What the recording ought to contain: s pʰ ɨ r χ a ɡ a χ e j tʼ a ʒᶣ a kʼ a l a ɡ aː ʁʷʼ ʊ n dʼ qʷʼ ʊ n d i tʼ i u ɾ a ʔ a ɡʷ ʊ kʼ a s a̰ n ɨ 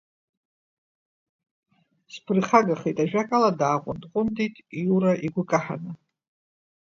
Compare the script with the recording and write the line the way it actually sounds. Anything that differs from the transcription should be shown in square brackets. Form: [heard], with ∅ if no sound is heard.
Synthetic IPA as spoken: s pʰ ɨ r χ a ɡ a χ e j tʼ a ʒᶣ a kʼ a l a [d] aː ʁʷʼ ʊ n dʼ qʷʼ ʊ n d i tʼ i u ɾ a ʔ [i] ɡʷ ʊ kʼ a [ħ] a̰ n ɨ